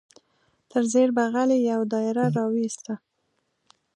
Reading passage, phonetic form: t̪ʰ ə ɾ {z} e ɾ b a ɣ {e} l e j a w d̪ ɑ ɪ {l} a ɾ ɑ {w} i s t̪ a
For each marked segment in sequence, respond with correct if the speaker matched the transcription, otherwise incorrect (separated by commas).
correct, incorrect, incorrect, correct